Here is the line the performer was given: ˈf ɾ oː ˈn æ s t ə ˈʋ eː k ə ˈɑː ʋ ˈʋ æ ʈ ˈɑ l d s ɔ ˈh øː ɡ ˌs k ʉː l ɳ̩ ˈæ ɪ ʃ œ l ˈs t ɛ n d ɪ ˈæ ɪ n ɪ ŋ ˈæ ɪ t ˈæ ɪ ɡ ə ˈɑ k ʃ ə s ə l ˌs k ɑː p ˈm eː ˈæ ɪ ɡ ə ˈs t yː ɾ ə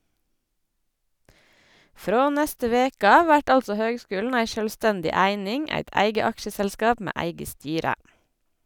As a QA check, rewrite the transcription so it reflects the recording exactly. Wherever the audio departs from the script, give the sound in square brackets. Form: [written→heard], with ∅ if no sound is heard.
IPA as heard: ˈf ɾ oː ˈn æ s t ə ˈʋ eː k ə ˈɑː ʋ ˈʋ æ ʈ ˈɑ l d s ɔ ˈh øː ɡ ˌs k ʉː l [ɳ̩→n̩] ˈæ ɪ ʃ œ l ˈs t ɛ n d ɪ ˈæ ɪ n ɪ ŋ ˈæ ɪ t ˈæ ɪ ɡ ə ˈɑ k ʃ ə s ə l ˌs k ɑː p ˈm eː ˈæ ɪ ɡ ə ˈs t yː ɾ ə